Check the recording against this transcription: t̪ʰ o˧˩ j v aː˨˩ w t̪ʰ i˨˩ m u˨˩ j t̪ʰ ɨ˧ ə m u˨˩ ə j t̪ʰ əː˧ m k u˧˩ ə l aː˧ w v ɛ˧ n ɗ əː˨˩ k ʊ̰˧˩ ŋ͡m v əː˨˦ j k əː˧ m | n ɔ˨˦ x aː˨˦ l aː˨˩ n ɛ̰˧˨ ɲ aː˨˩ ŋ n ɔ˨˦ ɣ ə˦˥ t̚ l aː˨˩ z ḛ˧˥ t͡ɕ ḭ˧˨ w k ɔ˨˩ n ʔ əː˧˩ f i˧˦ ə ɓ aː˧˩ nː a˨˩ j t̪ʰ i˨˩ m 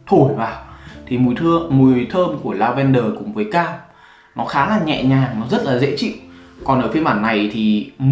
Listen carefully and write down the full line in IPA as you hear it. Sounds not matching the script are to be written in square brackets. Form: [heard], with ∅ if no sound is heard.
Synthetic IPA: t̪ʰ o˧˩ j v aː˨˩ w t̪ʰ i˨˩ m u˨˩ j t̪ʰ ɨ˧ ə m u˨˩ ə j t̪ʰ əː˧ m k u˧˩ ə l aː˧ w v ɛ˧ n ɗ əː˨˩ k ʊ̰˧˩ ŋ͡m v əː˨˦ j k [aː˧] m | n ɔ˨˦ x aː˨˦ l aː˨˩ [ɲ] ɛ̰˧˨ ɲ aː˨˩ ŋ n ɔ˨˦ [z] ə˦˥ t̚ l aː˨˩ z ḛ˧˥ t͡ɕ ḭ˧˨ w k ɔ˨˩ n ʔ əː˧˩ f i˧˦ ə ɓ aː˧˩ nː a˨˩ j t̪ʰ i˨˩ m